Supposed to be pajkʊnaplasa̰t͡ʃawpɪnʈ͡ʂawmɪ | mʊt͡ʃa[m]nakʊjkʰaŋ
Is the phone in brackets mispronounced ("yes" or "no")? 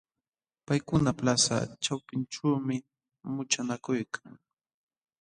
yes